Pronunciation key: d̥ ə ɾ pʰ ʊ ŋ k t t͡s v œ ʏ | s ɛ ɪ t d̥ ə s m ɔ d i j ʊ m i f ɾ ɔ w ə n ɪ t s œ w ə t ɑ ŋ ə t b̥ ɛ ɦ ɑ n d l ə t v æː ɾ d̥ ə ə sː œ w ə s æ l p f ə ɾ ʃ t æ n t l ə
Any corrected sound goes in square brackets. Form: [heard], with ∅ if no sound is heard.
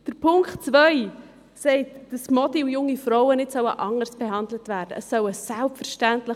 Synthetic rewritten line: d̥ ə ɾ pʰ ʊ ŋ k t t͡s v œ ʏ | s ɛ ɪ t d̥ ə s m ɔ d i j ʊ [ŋ] i f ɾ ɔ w ə n ɪ t s œ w ə [ʔ] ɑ ŋ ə [s] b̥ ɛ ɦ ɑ n d l ə t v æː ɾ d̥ ə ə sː œ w ə s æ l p f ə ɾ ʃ t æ n t l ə